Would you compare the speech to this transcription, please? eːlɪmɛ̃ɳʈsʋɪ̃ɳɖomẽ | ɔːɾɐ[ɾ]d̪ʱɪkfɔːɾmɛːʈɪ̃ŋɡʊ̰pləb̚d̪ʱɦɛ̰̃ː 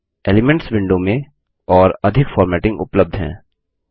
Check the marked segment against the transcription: incorrect: none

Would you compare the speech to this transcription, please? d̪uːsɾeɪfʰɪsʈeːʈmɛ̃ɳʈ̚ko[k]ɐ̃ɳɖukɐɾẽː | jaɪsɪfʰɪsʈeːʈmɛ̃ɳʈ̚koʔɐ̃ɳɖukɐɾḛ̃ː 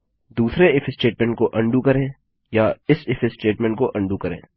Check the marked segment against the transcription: incorrect: ʔ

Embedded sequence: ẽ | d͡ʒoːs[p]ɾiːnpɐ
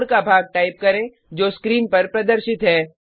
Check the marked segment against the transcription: incorrect: k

